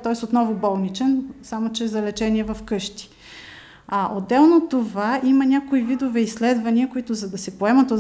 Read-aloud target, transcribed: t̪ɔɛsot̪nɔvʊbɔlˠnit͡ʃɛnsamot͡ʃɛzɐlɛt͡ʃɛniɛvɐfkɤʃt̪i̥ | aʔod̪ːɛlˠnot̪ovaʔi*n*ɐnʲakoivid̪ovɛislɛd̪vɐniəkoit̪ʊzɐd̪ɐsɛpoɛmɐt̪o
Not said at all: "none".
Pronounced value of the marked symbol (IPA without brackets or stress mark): m